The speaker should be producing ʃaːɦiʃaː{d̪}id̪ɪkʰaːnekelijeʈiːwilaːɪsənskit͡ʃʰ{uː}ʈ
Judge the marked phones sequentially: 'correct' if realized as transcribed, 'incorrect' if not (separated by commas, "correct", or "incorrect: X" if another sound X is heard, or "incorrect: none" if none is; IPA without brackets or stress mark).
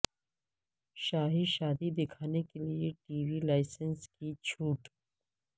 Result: correct, correct